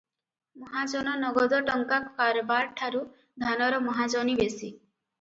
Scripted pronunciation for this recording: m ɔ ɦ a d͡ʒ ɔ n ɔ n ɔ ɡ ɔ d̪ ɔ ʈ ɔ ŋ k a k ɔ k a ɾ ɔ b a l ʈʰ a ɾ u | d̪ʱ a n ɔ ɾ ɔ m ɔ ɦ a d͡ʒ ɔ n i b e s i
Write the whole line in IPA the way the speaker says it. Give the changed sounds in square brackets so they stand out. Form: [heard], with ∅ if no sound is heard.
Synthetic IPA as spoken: m ɔ ɦ a d͡ʒ ɔ n ɔ n ɔ ɡ ɔ d̪ ɔ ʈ ɔ ŋ k a k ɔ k a ɾ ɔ b a [ɾ] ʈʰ a ɾ u | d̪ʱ a n ɔ ɾ ɔ m ɔ ɦ a d͡ʒ ɔ n i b e s i